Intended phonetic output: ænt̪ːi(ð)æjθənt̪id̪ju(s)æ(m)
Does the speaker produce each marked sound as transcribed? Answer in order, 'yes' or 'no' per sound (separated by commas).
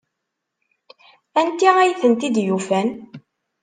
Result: no, no, no